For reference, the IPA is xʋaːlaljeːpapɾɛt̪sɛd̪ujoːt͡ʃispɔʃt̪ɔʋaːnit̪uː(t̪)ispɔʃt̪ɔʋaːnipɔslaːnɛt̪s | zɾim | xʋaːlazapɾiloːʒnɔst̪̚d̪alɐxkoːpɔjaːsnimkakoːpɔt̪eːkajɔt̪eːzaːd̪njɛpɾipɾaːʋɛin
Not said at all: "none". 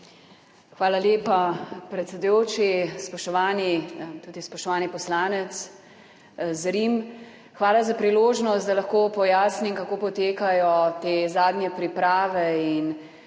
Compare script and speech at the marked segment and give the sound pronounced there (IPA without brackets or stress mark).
d̪